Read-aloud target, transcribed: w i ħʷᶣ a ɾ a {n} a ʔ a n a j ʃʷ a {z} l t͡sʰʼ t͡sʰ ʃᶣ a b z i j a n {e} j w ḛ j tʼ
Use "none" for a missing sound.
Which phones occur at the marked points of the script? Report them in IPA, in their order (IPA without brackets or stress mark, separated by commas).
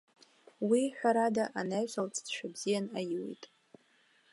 d, none, a